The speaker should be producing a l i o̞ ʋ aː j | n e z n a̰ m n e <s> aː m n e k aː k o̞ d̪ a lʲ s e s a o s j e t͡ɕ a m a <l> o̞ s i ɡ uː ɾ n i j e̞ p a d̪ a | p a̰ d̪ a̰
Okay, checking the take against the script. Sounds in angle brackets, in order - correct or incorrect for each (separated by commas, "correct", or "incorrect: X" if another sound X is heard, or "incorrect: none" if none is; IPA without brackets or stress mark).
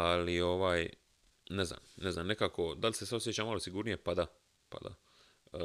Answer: incorrect: z, correct